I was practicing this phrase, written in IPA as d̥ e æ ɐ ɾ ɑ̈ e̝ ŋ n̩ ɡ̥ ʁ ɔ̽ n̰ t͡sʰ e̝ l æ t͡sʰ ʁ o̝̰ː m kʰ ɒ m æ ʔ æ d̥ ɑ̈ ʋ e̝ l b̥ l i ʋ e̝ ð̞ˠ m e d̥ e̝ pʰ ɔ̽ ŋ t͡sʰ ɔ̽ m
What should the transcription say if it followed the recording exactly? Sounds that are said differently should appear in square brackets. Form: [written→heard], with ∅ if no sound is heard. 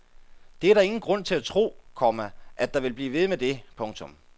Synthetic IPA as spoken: d̥ e æ ɐ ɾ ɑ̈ e̝ ŋ n̩ ɡ̥ ʁ ɔ̽ n̰ t͡sʰ e̝ l æ t͡sʰ ʁ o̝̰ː [m→∅] kʰ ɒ m æ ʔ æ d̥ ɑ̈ ʋ e̝ l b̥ l [i→iː] ʋ e̝ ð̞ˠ m e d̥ e̝ pʰ ɔ̽ ŋ t͡sʰ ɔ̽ m